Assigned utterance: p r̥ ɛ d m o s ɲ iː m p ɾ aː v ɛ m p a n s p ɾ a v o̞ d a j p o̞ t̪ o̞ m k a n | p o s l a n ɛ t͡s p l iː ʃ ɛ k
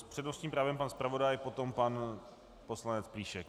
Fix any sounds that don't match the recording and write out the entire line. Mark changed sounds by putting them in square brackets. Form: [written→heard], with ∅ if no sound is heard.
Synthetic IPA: p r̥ ɛ d [m→n] o s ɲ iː m p ɾ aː v ɛ m p a n s p ɾ a v o̞ d a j p o̞ t̪ o̞ m [k→p] a n | p o s l a n ɛ t͡s p l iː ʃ ɛ k